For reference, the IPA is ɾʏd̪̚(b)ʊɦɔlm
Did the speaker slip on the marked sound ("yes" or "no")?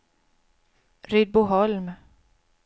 no